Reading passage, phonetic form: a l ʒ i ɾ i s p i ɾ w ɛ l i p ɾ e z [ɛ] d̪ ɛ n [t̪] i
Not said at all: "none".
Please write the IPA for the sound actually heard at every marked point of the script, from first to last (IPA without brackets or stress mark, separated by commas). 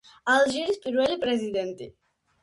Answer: i, t̪